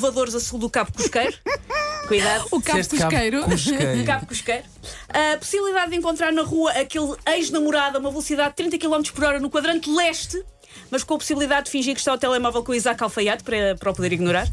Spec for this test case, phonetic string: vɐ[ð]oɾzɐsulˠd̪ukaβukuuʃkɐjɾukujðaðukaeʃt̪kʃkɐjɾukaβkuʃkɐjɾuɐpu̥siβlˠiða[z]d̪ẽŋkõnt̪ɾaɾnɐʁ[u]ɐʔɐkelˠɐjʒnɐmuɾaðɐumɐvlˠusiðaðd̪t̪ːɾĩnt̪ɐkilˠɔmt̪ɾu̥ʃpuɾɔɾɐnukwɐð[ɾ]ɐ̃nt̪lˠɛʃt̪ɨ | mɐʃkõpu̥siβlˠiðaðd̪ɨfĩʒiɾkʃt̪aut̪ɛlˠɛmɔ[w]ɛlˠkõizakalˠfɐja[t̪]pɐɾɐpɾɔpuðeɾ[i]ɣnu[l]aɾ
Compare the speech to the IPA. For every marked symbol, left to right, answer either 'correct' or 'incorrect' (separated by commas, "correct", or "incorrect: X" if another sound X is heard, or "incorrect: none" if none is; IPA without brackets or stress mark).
correct, incorrect: ð, correct, correct, incorrect: v, correct, correct, incorrect: ɾ